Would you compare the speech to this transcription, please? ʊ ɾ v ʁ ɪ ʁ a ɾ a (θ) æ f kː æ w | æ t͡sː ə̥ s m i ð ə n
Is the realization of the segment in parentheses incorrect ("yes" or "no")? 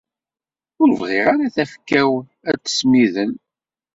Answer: no